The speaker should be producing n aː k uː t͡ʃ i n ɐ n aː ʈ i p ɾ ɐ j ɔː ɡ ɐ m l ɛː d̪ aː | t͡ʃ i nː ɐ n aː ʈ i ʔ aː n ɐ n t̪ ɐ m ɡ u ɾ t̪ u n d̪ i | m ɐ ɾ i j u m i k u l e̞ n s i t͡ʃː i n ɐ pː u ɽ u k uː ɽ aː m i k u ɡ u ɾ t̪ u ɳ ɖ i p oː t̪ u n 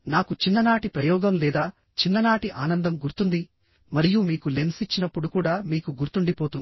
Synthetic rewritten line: n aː k u t͡ʃ i nː ɐ n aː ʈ i p ɾ ɐ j ɔː ɡ ɐ m l ɛː d̪ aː | t͡ʃ i nː ɐ n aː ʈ i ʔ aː n ɐ n d̪ ɐ m ɡ u ɾ t̪ u n d̪ i | m ɐ ɾ i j u m iː k u l e̞ n s i t͡ʃː i n ɐ pː u ɽ u k uː ɽ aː m iː k u ɡ u ɾ t̪ u ɳ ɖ i p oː t̪ u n